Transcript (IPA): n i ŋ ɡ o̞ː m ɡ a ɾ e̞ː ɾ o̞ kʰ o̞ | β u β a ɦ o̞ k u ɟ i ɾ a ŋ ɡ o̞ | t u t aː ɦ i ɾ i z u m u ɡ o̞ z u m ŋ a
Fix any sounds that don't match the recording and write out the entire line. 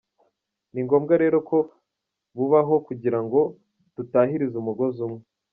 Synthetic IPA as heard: n i ŋ ɡ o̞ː m ɡ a ɾ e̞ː ɾ o̞ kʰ o̞ | β u β a ɦ o̞ k u ɟ i ɾ a ŋ ɡ o̞ | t u t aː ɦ i ɾ i z u m u ɡ o̞ z u m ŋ e